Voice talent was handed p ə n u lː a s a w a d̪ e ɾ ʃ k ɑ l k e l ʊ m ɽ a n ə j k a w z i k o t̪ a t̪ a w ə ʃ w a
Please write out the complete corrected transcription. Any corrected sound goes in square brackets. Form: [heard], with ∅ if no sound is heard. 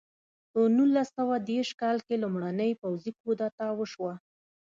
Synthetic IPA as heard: p ə n u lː a s a w a d̪ e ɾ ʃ k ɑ l k e l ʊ m ɽ a n ə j [p] a w z i k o [d̪] a t̪ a w ə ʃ w a